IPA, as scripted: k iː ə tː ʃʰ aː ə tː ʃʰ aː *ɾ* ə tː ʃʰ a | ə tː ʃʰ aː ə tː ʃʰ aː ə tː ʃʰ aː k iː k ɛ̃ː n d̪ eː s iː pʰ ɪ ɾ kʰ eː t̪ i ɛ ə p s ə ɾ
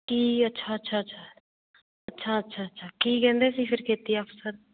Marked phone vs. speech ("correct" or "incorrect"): incorrect